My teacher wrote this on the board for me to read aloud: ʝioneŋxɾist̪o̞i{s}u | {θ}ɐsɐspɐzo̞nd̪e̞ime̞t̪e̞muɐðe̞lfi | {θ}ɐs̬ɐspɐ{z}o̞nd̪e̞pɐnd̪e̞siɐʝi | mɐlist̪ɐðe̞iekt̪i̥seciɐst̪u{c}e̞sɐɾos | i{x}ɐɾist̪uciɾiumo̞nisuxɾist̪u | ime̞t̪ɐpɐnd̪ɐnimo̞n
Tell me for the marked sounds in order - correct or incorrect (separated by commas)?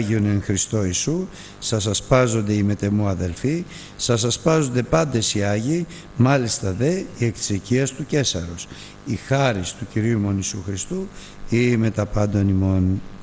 correct, incorrect, incorrect, correct, correct, correct